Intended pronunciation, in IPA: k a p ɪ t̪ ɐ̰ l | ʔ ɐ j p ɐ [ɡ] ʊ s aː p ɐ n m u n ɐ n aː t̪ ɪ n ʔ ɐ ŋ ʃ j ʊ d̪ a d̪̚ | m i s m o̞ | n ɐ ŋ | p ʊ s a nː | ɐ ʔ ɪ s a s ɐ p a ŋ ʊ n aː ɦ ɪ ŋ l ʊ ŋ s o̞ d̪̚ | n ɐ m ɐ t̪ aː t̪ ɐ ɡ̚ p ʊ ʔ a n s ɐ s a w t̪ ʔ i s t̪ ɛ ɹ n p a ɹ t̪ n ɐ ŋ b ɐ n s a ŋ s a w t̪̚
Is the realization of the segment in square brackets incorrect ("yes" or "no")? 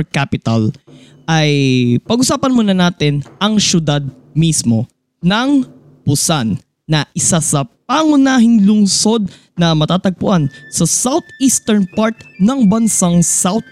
no